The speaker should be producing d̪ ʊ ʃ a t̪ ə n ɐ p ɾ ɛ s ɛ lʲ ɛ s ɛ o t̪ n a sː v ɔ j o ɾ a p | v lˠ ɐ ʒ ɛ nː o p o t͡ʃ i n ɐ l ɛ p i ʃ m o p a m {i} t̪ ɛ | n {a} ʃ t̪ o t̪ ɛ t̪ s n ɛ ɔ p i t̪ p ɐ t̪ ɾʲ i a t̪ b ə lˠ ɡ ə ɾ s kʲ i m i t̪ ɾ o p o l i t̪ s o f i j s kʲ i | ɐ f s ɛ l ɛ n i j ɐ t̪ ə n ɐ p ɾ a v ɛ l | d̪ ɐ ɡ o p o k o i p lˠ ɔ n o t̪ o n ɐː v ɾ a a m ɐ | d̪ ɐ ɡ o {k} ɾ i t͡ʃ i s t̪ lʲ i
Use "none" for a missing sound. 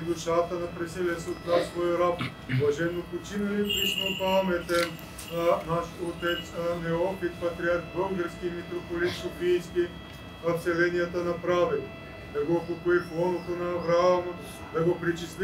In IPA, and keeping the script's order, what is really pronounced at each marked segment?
ɛ, a, p

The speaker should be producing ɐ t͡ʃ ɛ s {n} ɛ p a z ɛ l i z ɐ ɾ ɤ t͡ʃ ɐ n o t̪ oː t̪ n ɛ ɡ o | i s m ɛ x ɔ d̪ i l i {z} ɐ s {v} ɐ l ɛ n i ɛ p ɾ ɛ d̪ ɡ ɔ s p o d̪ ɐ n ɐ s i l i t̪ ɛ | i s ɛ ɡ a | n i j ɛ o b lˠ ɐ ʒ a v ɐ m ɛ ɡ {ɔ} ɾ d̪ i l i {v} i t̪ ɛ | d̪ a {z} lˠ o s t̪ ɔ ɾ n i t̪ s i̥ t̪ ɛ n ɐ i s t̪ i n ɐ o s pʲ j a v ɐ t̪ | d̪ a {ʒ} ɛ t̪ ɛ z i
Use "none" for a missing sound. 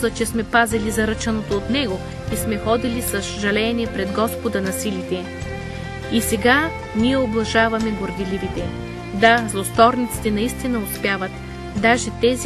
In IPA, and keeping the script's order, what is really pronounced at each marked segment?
m, s, ʒ, o, v, z, ʒ

